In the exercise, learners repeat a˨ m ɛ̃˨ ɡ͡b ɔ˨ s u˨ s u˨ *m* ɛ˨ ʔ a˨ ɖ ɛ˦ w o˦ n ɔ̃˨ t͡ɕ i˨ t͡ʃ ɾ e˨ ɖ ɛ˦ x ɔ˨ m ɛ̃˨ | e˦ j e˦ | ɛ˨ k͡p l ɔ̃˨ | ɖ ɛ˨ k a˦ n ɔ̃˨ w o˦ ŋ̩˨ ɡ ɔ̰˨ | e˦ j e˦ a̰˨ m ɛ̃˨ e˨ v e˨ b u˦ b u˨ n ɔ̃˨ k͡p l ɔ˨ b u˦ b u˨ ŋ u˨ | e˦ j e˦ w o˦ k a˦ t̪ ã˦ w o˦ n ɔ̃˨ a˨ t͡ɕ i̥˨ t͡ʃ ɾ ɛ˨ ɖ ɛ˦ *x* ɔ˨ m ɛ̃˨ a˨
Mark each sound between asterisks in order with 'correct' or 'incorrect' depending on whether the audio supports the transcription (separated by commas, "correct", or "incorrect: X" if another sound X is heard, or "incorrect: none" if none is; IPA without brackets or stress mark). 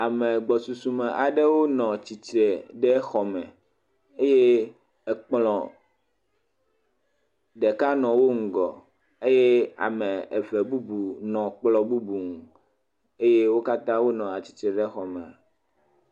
correct, correct